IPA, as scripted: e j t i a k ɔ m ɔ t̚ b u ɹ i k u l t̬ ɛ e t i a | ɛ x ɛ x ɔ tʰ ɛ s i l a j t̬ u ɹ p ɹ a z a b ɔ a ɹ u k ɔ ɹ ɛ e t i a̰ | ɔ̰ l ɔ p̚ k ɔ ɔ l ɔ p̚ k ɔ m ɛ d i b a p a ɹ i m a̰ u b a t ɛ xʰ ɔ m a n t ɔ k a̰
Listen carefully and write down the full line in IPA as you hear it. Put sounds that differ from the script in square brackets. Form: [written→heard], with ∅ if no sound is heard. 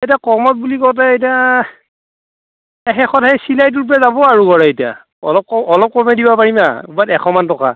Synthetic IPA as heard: e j t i a k ɔ m ɔ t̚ b u [ɹ→l] i k [u→ɔ] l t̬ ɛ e t i a | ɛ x ɛ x ɔ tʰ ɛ s i l a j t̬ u ɹ p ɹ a z a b ɔ a ɹ u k ɔ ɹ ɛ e t i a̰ | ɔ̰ l ɔ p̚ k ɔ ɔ l ɔ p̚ k ɔ m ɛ d i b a p a ɹ i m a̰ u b a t ɛ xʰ ɔ m a n t ɔ k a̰